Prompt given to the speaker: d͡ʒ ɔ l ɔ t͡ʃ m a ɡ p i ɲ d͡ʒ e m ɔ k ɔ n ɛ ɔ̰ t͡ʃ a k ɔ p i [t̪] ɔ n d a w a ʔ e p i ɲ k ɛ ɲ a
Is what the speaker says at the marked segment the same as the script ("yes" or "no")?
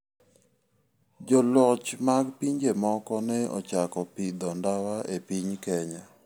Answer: no